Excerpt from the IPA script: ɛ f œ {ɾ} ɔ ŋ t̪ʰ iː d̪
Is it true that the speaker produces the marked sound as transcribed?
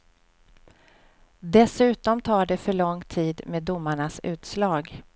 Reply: no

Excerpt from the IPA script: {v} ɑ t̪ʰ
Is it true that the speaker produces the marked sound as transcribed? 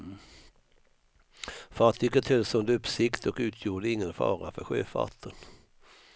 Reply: no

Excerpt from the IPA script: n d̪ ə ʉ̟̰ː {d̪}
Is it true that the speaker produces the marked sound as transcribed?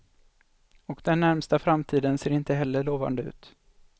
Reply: no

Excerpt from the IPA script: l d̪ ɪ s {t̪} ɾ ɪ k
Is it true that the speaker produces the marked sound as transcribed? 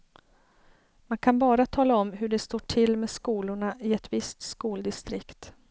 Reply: yes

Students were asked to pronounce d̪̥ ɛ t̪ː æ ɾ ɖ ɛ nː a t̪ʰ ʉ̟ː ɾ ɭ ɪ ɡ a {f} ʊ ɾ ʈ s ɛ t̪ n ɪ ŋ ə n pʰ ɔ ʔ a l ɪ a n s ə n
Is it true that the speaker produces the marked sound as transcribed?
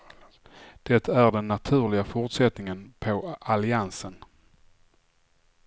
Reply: yes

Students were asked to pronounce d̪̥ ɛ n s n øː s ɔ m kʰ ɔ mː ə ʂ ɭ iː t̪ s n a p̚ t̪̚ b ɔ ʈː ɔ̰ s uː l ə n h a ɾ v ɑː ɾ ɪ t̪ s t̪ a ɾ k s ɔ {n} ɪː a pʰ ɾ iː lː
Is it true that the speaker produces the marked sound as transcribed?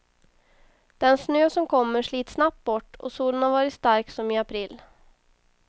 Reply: no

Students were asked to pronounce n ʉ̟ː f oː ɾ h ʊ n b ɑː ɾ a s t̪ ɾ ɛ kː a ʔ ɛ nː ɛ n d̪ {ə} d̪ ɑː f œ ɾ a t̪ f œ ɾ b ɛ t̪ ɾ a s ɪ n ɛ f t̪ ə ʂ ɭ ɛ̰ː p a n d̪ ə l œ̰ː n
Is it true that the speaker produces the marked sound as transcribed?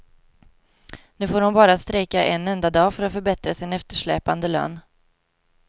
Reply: no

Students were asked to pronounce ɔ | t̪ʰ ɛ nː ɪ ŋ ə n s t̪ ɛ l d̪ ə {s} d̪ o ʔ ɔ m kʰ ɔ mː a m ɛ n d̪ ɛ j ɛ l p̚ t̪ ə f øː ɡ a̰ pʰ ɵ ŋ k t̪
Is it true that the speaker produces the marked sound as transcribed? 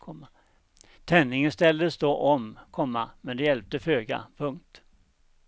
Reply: yes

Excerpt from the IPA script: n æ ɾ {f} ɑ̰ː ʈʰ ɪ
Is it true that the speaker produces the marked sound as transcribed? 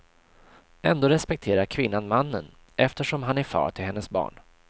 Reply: yes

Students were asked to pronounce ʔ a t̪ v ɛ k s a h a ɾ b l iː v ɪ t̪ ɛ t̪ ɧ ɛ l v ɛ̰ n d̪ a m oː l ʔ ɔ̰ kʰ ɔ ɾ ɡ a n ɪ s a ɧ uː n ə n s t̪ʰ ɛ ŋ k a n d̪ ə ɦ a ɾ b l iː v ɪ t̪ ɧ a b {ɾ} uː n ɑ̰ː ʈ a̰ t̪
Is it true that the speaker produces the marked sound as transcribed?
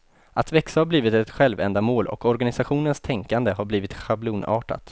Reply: no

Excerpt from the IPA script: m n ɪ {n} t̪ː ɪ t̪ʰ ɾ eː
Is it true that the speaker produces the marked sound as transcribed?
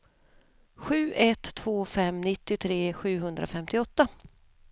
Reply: no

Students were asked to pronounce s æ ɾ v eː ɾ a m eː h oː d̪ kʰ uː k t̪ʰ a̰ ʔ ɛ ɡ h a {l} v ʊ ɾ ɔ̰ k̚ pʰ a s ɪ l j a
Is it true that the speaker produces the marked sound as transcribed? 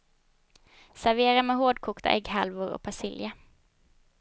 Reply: yes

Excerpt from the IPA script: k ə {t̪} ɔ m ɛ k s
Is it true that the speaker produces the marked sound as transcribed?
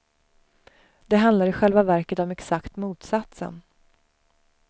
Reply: yes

